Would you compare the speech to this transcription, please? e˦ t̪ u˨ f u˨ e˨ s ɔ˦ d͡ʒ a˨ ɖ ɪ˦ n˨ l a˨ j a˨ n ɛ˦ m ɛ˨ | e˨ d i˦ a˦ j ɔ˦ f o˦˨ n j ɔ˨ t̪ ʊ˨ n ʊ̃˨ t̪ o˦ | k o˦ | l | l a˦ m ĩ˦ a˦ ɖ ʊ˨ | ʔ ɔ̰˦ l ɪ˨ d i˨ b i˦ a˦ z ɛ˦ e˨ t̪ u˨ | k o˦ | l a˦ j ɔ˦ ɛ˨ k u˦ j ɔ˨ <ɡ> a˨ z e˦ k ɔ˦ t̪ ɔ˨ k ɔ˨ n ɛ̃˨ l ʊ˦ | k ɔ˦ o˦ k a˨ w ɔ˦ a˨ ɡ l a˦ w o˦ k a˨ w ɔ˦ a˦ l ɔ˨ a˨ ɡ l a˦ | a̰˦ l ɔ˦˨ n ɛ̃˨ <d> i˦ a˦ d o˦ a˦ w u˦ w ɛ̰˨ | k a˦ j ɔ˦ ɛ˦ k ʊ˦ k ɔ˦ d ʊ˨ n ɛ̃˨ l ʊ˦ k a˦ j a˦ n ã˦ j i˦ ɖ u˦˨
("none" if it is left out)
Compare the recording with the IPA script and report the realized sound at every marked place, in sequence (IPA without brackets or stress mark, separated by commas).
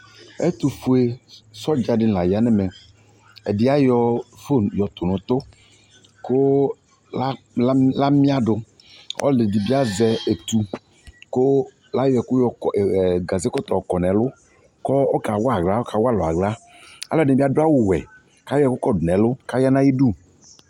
ɡ, b